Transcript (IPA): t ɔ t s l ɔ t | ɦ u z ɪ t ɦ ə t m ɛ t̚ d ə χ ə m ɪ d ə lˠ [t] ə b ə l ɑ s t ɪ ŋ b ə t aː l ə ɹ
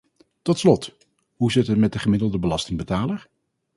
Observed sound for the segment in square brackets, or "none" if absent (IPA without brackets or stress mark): d